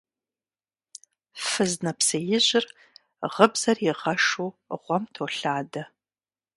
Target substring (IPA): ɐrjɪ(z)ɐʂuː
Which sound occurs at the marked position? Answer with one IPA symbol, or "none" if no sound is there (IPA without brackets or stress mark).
ʁ